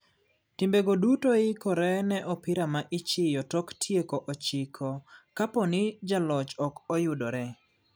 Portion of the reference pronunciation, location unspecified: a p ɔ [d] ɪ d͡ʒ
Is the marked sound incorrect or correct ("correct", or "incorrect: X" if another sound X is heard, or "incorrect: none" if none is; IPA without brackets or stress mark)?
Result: incorrect: n